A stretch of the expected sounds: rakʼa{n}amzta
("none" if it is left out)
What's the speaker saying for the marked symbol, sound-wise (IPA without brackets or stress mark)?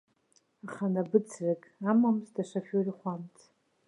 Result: m